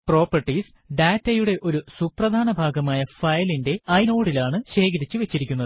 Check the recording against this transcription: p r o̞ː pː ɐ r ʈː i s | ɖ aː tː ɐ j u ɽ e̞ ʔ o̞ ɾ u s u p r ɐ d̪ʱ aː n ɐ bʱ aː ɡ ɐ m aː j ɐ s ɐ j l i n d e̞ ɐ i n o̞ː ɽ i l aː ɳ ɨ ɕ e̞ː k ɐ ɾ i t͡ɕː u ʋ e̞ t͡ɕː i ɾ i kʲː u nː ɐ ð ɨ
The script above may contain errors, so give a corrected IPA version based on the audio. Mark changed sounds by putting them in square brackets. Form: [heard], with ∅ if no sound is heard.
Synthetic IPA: p r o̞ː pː ɐ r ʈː i s | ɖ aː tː ɐ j u ɽ e̞ ʔ o̞ ɾ u s u p r ɐ d̪ʱ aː n ɐ bʱ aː ɡ ɐ m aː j ɐ [f] ɐ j l i n d e̞ ɐ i n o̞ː ɽ i l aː ɳ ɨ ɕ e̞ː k ɐ ɾ i t͡ɕː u ʋ e̞ t͡ɕː i ɾ i kʲː u nː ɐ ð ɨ